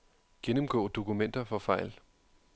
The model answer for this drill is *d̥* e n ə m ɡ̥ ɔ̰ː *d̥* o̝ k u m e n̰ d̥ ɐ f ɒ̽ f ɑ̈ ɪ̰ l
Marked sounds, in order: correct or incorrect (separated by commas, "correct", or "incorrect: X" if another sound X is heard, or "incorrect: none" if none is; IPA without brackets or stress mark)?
incorrect: ɡ̥, correct